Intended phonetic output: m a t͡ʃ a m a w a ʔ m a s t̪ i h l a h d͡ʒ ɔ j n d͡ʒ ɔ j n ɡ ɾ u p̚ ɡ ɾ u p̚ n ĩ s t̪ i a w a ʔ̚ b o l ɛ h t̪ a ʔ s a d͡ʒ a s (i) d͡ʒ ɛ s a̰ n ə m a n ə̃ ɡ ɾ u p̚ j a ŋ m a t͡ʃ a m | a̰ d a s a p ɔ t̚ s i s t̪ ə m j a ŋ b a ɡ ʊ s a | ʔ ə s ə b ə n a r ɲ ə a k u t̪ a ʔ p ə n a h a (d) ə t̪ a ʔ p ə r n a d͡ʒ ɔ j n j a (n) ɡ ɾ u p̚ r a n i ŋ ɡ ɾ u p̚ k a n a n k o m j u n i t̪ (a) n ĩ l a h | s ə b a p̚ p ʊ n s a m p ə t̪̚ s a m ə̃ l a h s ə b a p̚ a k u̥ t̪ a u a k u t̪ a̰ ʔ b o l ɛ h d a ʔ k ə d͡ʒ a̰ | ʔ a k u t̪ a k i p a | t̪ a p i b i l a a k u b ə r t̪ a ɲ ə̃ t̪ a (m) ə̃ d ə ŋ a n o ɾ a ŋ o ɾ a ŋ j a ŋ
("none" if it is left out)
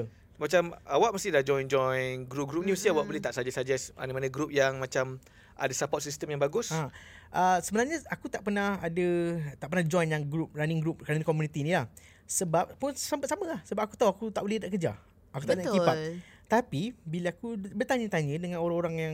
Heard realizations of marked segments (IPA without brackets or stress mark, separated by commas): a, d, ŋ, i, ɲ